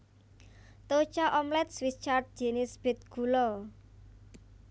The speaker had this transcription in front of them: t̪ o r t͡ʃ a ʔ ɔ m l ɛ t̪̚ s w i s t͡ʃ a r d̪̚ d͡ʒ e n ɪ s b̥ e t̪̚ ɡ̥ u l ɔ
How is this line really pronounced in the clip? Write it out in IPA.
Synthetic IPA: t̪ o t͡ʃ a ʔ ɔ m l ɛ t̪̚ s w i s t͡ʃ a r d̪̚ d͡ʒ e n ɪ s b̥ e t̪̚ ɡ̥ u l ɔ